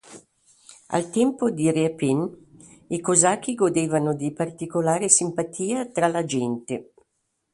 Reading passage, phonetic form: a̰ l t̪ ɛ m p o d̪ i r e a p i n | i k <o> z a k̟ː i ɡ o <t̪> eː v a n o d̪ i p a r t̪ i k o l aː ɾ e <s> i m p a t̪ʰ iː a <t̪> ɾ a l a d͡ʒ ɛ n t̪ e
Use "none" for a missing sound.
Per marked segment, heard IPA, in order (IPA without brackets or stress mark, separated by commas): o, d̪, s, t̪